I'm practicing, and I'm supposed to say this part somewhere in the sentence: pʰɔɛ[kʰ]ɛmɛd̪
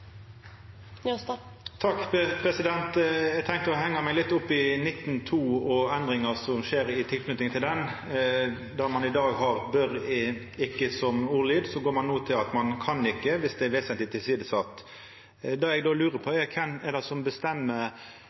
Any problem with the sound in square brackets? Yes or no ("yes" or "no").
no